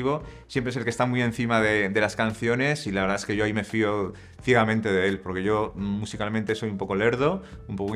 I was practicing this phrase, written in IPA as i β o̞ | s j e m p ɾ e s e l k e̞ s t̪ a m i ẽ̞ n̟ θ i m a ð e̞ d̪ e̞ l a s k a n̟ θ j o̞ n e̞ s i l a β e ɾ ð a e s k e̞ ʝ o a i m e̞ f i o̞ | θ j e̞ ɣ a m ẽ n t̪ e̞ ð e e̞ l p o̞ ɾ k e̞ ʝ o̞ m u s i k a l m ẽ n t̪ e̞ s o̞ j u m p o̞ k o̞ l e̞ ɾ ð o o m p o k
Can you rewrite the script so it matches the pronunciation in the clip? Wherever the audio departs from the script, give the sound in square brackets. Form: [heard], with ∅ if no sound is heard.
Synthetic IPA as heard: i β o̞ | s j e m p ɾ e s e l k e̞ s t̪ a m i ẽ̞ n̟ θ i m a ð e̞ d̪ e̞ l a s k a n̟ θ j o̞ n e̞ s i l a β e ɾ ð a e s k e̞ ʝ o a i m e̞ f i o̞ | θ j e̞ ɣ a m ẽ n t̪ e̞ ð e e̞ l p o̞ ɾ k e̞ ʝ o̞ m u s i k a l m ẽ n t̪ e̞ s o̞ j u m p o̞ k o̞ l e̞ ɾ ð o [u] m p o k

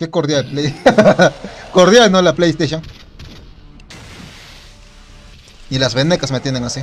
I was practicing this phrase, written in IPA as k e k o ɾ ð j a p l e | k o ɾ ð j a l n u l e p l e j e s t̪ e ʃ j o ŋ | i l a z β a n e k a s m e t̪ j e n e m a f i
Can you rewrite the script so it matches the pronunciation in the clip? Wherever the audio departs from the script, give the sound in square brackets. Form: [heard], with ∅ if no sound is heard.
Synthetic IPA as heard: k e k o ɾ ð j a p l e | k o ɾ ð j a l n [o] l [a] p l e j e s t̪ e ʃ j o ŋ | i l a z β [e] n e k a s m e t̪ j e n e [ŋ] a [s] i

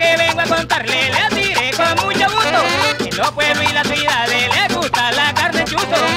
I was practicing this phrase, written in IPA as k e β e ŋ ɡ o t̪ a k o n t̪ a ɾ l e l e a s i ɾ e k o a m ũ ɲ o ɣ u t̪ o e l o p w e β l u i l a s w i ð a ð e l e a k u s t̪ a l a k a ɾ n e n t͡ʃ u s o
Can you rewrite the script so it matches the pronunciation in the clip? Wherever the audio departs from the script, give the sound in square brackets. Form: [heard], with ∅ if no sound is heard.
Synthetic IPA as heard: k e β e ŋ ɡ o [∅] a k o n t̪ a ɾ l e l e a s i ɾ e k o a m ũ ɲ o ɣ u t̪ o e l o p w e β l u i l a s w i ð a ð e l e a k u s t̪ a l a k a ɾ n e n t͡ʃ u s o

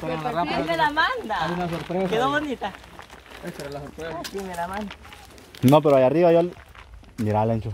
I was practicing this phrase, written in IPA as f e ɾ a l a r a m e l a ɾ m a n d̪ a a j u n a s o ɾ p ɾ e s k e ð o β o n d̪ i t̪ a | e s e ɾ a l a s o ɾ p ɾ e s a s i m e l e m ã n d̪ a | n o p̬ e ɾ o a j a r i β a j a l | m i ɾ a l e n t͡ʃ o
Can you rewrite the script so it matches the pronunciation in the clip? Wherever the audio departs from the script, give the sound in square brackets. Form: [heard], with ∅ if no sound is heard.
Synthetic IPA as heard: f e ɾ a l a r a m e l a [∅] m a n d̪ a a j u n a s o ɾ p ɾ e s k e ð o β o n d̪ i t̪ a | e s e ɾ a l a s o ɾ p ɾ e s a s i m e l [a] m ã n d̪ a | n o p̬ e ɾ o a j a r i β a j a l | m i ɾ a l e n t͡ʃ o

